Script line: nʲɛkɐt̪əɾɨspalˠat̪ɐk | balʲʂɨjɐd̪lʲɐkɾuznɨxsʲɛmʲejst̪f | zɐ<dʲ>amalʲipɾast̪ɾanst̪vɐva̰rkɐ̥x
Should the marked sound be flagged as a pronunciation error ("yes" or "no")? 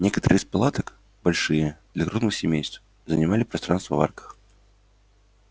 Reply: yes